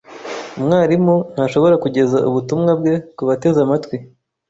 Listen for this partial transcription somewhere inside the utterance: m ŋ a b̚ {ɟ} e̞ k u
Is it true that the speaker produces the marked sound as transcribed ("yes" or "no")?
no